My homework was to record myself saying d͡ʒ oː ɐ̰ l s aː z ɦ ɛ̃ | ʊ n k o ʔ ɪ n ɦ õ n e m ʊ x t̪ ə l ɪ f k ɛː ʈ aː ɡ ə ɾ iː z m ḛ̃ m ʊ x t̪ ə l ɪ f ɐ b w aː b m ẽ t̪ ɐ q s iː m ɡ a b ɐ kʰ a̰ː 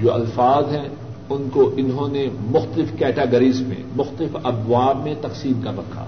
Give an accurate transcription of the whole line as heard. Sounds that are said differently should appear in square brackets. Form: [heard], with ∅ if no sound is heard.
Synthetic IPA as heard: d͡ʒ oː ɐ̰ l [f] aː z ɦ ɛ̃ | ʊ n k o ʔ ɪ n ɦ õ n e m ʊ x t̪ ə l ɪ f k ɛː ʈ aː ɡ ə ɾ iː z m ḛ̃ m ʊ x t̪ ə l ɪ f ɐ b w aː b m ẽ t̪ ɐ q s iː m [k] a b ɐ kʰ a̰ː